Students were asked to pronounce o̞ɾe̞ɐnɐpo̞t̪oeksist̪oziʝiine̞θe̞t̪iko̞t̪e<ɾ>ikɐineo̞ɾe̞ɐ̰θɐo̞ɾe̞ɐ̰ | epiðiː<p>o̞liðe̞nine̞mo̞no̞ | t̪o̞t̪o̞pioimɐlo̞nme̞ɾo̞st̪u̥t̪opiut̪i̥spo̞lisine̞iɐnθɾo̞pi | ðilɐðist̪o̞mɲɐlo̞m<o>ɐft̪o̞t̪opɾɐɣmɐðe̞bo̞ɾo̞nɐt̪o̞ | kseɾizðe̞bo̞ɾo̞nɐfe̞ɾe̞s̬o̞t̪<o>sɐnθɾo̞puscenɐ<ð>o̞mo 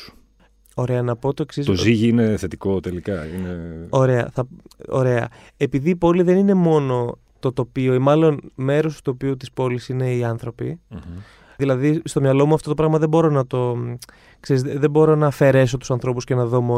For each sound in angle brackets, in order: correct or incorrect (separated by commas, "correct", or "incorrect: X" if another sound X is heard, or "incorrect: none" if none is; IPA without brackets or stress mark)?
incorrect: l, correct, incorrect: u, incorrect: u, correct